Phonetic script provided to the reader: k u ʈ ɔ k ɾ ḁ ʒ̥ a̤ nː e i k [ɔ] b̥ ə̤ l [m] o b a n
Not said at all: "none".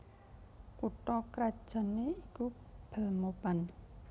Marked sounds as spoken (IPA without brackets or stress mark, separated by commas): u, m